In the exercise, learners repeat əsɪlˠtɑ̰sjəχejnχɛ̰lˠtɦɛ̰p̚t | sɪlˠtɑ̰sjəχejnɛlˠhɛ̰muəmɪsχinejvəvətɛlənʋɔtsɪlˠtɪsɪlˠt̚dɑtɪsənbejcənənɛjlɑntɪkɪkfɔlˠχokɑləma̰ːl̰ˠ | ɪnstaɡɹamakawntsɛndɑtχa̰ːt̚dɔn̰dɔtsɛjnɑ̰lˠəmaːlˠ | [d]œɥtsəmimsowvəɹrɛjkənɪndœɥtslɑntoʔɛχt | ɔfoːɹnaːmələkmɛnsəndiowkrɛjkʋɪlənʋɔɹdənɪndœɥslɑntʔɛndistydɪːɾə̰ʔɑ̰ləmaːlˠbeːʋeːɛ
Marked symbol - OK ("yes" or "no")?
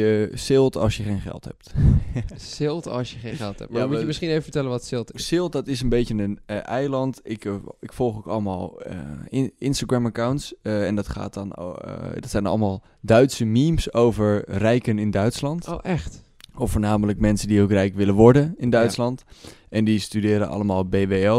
yes